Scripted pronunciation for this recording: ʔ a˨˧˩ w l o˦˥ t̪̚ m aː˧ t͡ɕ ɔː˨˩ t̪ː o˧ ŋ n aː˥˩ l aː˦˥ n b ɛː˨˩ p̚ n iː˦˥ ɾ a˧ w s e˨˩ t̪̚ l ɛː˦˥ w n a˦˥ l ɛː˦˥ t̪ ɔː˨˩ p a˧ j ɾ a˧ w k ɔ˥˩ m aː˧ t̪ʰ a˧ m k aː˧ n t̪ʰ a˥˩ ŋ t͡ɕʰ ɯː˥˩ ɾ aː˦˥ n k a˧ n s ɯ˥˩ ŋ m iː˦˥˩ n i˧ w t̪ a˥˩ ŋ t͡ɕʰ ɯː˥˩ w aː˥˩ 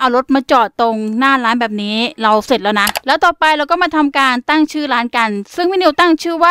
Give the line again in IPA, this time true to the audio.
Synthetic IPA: ʔ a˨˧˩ w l o˦˥ t̪̚ m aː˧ t͡ɕ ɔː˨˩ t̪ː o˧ ŋ n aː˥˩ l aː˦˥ n b ɛː˨˩ p̚ n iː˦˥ ɾ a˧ w s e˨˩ t̪̚ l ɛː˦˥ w n a˦˥ l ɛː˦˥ t̪ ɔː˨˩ p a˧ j ɾ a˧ w k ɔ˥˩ m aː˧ t̪ʰ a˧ m k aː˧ n t̪ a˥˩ ŋ t͡ɕʰ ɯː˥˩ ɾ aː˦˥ n k a˧ n s ɯ˥˩ ŋ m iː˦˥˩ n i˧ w t̪ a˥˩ ŋ t͡ɕʰ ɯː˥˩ w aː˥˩

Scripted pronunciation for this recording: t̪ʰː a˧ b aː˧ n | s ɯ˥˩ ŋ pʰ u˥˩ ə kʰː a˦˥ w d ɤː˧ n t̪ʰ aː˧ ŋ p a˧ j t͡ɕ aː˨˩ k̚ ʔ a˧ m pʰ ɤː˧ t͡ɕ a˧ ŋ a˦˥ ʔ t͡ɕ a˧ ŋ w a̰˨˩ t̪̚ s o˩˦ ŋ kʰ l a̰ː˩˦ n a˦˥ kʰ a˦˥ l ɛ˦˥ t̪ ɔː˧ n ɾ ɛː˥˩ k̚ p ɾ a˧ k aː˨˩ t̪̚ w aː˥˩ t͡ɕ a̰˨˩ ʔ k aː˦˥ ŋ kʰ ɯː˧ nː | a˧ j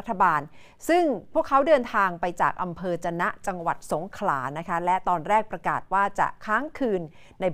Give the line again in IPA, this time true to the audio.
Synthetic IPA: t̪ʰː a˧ b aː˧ n | s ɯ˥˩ ŋ pʰ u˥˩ ə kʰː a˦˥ w d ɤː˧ n t̪ʰ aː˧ ŋ p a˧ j t͡ɕ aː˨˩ k̚ ʔ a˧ m pʰ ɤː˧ t͡ɕ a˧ n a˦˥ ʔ t͡ɕ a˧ ŋ w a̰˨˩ t̪̚ s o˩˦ ŋ kʰ l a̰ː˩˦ n a˦˥ kʰ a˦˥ l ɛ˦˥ t̪ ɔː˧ n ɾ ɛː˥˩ k̚ p ɾ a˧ k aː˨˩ t̪̚ w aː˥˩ t͡ɕ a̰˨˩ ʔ kʰ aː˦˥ ŋ kʰ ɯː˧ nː | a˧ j

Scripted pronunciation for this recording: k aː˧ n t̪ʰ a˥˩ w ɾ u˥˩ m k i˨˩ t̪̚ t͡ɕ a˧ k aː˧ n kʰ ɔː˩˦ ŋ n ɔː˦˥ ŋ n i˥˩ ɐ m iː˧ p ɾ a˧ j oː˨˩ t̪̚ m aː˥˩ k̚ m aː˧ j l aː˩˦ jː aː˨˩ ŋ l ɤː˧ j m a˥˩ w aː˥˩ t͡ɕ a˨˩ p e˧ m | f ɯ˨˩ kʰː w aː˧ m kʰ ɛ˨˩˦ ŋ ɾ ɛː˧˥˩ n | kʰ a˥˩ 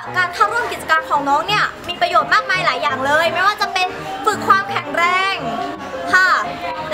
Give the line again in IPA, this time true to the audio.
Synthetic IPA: k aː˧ n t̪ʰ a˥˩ w ɾ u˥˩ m k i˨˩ t̪̚ t͡ɕ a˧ k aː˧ n kʰ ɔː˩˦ ŋ n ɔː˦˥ ŋ n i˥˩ ɐ m iː˧ p ɾ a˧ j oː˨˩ t̪̚ m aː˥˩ k̚ m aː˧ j l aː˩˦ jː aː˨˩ ŋ l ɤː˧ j m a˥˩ w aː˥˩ t͡ɕ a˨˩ p e˧ n | f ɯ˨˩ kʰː w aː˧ m kʰ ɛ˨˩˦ ŋ ɾ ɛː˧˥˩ ŋ | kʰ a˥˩

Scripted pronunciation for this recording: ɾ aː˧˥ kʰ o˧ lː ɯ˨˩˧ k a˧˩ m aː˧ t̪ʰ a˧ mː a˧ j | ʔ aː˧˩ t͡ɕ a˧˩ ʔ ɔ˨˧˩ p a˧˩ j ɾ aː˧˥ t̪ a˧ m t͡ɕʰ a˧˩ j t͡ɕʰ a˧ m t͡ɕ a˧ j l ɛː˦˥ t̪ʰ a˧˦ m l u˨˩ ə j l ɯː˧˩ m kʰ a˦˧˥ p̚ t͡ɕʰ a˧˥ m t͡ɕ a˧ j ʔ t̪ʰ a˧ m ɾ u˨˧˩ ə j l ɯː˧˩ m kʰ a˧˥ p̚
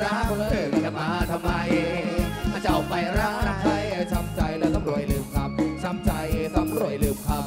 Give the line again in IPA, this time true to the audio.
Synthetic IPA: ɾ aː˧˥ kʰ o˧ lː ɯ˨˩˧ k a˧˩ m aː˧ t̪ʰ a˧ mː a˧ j | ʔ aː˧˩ t͡ɕ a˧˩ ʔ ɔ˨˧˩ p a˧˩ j ɾ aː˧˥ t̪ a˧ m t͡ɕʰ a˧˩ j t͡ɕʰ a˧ m t͡ɕ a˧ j l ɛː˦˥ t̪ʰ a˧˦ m ɾ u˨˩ ə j l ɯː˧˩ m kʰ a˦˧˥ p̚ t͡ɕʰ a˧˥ m t͡ɕ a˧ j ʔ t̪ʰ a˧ m ɾ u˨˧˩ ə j l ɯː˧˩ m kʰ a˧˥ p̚

